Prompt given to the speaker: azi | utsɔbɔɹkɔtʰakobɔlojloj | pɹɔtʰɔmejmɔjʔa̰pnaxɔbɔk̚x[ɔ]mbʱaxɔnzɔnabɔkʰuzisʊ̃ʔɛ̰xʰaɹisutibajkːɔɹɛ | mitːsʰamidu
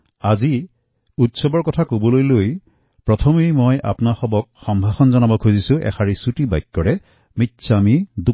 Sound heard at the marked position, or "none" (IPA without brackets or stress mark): ɔ